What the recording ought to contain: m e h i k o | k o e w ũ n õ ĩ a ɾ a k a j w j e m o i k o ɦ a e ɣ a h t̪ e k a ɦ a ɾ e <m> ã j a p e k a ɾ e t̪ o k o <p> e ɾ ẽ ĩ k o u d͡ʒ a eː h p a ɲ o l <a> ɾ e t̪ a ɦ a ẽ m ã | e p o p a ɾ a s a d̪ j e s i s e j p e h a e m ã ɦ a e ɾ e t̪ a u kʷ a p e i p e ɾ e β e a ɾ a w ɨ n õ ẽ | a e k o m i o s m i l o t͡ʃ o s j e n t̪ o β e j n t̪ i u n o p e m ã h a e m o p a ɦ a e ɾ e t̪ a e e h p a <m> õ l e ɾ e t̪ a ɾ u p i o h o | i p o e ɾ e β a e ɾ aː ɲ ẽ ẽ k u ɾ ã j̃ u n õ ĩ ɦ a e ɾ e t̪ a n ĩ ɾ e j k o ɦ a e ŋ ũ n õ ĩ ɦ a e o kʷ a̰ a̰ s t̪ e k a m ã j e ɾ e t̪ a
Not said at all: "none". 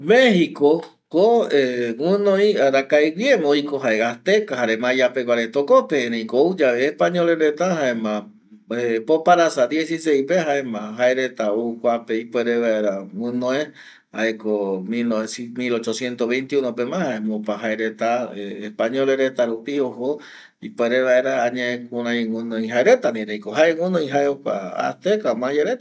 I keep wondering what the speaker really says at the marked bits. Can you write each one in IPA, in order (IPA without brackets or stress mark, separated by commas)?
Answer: m, p, e, ɲ